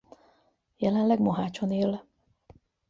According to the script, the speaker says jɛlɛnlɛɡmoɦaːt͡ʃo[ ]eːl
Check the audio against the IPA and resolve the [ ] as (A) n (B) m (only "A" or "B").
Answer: A